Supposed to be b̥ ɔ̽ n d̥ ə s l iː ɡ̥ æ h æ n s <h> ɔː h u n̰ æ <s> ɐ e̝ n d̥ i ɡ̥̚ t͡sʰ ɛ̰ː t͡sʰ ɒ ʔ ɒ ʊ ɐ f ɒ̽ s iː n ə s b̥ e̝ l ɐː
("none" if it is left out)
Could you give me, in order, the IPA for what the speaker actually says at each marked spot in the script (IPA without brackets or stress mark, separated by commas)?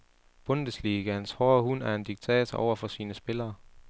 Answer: h, none